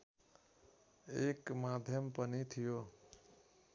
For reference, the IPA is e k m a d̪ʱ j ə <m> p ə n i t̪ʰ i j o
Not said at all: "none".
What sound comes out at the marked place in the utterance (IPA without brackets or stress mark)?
m